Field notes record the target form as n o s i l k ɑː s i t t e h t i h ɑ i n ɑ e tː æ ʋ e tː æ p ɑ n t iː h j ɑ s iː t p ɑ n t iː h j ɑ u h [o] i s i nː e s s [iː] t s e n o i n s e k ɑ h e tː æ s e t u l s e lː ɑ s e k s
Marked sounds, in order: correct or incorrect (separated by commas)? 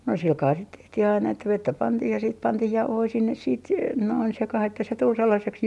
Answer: correct, correct